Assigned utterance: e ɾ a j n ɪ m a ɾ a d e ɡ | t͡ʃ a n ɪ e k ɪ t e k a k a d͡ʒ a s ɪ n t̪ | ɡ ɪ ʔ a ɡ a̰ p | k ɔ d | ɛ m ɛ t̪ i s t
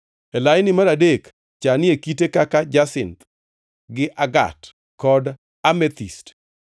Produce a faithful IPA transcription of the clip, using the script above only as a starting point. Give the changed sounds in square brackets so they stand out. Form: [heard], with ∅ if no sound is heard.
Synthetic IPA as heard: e [l] a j n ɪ m a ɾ a d e [k] | t͡ʃ a n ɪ e k [i] t e k a k a d͡ʒ a s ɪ n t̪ | ɡ ɪ ʔ a ɡ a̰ [t] | k ɔ d | [a] m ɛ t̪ i s t

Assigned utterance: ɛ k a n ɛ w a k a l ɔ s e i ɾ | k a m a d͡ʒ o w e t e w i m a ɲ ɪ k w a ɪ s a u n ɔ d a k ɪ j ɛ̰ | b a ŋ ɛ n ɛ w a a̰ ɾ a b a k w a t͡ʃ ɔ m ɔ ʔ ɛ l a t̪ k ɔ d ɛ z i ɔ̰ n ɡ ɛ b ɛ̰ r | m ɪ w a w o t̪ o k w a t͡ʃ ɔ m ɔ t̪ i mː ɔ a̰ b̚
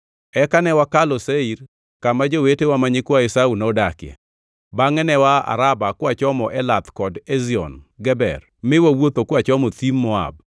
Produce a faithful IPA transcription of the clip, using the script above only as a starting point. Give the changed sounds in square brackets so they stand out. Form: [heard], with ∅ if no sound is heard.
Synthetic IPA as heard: ɛ k a n ɛ w a k a l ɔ s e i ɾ | k a m a d͡ʒ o w e t e w [a] m a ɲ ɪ k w a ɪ s a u n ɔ d a k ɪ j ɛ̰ | b a ŋ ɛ n ɛ w a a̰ ɾ a b a k w a t͡ʃ ɔ m ɔ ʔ ɛ l a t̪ k ɔ d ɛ z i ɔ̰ n ɡ ɛ b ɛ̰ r | m ɪ w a w o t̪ o k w a t͡ʃ ɔ m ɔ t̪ i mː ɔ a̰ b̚

